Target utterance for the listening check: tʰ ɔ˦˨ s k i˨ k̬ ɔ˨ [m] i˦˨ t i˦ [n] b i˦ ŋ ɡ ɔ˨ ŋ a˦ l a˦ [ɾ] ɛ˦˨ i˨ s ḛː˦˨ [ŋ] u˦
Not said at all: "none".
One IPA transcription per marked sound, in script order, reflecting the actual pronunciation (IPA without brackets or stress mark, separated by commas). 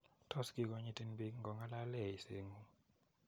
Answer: ɲ, n, l, ŋ